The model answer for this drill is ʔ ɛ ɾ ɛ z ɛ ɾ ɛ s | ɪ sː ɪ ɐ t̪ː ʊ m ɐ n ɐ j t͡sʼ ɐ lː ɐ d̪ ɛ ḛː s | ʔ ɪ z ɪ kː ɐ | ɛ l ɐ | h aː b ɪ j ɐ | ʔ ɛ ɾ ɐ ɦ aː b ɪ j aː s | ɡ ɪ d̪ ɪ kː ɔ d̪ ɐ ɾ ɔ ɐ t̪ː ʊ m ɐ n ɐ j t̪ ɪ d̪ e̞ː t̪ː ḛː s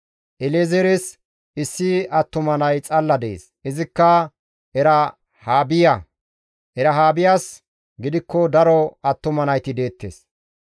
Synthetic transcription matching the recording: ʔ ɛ l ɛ z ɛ ɾ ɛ s | ɪ sː ɪ ɐ t̪ː ʊ m ɐ n ɐ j t͡sʼ ɐ lː ɐ d̪ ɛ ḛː s | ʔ ɪ z ɪ kː ɐ | ɛ ɾ ɐ | h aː b ɪ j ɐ | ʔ ɛ ɾ ɐ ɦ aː b ɪ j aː s | ɡ ɪ d̪ ɪ kː ɔ d̪ ɐ ɾ ɔ ɐ t̪ː ʊ m ɐ n ɐ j t̪ ɪ d̪ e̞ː t̪ː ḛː s